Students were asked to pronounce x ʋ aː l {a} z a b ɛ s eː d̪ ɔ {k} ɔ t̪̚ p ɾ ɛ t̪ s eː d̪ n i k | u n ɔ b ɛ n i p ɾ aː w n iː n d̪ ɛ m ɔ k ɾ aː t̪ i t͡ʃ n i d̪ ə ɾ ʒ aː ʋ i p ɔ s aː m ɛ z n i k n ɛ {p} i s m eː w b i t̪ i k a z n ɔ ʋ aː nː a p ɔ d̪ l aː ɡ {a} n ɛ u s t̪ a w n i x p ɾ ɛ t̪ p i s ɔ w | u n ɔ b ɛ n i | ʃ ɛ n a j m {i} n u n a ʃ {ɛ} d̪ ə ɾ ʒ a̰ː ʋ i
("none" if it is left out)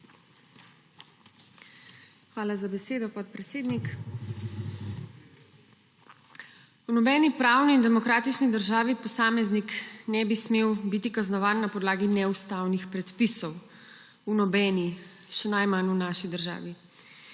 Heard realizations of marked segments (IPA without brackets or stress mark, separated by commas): a, p, b, i, a, i